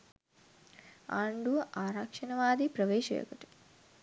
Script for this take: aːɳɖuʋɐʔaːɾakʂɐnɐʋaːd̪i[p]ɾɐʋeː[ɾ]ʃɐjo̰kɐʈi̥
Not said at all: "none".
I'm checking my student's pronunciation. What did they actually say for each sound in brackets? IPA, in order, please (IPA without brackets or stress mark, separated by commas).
p, none